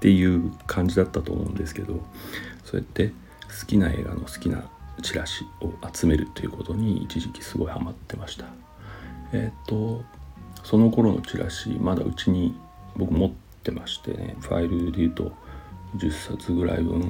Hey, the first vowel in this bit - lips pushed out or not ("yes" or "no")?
no